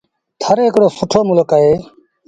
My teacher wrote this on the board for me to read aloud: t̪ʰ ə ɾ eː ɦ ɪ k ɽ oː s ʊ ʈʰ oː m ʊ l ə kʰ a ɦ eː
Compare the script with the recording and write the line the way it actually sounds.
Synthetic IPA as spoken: t̪ʰ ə ɾ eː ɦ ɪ k ɽ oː s ʊ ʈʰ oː m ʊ l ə k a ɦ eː